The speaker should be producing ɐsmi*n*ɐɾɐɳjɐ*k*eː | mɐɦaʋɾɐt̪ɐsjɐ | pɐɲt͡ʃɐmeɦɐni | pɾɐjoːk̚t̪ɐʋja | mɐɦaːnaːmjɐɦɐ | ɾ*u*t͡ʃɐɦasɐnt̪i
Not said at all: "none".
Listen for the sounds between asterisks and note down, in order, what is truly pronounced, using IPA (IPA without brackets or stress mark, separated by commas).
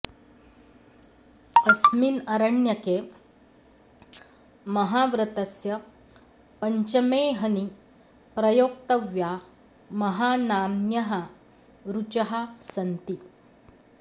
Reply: n, k, u